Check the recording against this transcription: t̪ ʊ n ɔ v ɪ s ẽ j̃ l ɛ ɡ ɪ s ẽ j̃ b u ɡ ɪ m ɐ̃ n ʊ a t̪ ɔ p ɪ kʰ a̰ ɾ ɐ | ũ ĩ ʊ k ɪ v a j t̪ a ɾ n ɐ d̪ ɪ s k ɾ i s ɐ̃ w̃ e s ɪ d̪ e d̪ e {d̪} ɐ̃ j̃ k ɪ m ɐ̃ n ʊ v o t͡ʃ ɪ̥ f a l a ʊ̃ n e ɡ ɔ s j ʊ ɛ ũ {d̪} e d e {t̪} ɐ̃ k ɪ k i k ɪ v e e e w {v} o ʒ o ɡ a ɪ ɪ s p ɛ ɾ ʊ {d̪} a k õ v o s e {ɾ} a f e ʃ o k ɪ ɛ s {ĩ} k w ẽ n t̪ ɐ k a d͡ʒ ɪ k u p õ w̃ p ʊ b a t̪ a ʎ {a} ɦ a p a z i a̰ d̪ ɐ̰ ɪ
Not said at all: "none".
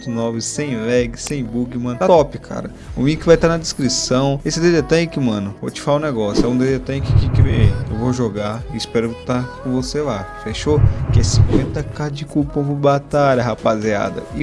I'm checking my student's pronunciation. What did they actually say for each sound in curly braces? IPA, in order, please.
t̪, d̪, t̪, v, t̪, l, ĩ, ɐ

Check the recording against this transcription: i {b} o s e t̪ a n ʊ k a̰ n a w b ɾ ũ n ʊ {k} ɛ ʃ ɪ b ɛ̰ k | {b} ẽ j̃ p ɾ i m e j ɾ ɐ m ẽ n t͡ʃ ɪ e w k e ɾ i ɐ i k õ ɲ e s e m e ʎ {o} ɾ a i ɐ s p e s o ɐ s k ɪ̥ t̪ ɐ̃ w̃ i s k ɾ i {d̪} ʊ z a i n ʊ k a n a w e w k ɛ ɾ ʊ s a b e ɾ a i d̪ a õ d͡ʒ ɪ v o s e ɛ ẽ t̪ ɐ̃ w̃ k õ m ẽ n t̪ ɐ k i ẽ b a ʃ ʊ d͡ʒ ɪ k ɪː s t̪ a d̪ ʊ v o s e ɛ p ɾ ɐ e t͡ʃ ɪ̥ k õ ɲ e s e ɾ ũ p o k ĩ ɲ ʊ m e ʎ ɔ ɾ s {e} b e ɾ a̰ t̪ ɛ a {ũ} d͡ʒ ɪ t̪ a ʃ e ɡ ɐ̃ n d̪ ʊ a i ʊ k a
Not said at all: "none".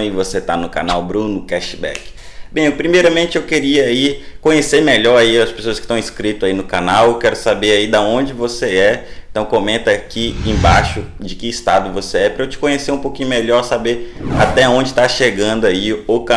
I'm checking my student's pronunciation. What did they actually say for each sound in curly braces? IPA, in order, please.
v, k, b, ɔ, t̪, a, õ

